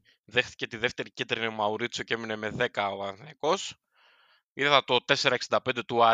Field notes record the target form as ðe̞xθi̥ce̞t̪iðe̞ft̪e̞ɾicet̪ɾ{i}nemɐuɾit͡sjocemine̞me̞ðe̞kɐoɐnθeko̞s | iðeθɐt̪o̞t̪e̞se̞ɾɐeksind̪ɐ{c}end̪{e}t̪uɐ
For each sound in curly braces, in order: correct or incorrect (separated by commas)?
correct, incorrect, correct